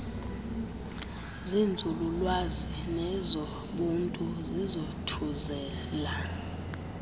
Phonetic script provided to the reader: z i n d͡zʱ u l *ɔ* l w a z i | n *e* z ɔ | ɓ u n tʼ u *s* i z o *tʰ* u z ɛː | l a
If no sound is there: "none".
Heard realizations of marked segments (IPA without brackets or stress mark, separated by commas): u, ɛ, z, tʰ